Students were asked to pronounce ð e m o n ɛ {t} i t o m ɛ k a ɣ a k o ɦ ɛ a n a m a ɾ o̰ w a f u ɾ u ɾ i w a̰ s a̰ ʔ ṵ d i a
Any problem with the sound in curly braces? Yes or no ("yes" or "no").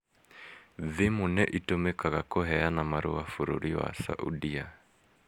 yes